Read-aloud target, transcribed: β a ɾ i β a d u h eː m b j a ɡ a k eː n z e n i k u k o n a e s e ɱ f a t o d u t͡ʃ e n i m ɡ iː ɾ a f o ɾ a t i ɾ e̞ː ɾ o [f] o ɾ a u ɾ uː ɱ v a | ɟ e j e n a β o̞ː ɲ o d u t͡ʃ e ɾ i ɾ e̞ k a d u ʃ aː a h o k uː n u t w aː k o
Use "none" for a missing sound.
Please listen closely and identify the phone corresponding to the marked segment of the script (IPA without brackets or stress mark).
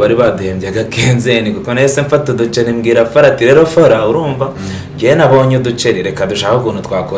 f